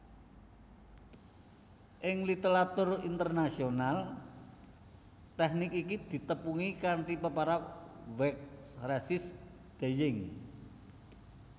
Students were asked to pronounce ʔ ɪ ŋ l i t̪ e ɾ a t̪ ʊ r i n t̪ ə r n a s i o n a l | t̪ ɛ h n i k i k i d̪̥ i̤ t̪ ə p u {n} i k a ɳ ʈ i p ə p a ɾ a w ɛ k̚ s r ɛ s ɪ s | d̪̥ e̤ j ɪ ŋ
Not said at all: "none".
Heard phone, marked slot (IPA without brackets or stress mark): ŋ